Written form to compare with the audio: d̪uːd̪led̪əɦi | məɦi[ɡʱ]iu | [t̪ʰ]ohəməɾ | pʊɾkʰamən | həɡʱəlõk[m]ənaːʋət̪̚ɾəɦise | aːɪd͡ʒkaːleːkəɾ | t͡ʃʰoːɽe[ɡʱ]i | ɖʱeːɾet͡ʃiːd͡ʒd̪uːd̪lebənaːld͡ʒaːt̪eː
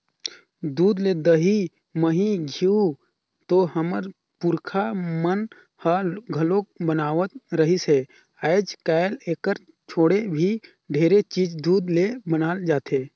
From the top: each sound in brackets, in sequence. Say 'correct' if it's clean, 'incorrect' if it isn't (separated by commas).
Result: correct, incorrect, incorrect, incorrect